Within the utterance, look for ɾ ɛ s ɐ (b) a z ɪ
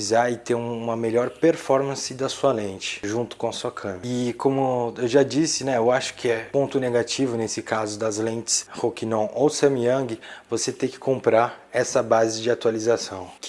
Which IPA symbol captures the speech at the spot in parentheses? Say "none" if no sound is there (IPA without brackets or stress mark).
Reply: b